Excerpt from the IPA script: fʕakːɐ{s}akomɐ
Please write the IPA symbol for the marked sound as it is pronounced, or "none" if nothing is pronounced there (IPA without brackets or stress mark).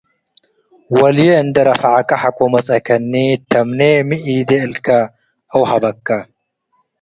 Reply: ħ